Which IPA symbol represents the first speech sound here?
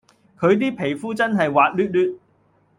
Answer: kʰ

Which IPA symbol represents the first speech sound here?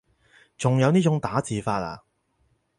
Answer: t͡s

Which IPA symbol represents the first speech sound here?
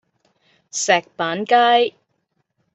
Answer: s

